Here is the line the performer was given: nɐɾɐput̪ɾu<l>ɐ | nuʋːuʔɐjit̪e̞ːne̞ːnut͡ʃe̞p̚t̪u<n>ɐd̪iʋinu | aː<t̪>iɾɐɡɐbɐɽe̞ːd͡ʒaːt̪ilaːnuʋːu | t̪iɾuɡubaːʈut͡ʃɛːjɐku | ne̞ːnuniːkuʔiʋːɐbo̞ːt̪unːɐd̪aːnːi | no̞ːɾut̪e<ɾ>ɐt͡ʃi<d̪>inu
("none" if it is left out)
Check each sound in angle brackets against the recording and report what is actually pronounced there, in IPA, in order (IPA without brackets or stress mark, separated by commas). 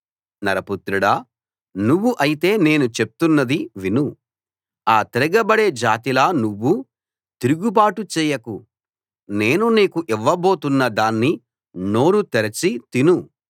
ɽ, nː, t̪, ɾ, t̪